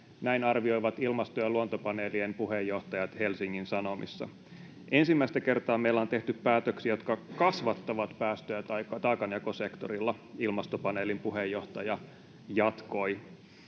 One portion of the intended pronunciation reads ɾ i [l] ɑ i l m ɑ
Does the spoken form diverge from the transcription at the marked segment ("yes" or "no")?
yes